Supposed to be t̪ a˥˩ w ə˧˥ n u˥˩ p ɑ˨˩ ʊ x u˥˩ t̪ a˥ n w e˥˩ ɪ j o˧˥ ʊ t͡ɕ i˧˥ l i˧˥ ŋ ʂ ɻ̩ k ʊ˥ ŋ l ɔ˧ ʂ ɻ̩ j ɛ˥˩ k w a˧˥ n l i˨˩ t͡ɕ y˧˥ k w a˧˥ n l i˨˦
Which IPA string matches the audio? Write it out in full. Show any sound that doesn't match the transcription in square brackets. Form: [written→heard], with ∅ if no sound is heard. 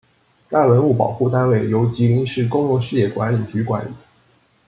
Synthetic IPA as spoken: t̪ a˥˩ w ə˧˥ n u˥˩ p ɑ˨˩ ʊ x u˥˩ t̪ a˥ n w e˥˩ ɪ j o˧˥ ʊ t͡ɕ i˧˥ l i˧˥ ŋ ʂ ɻ̩ k ʊ˥ ŋ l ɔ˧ ʂ ɻ̩ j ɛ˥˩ k w a˧˥ n l i˨˩ t͡ɕ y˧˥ k w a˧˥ n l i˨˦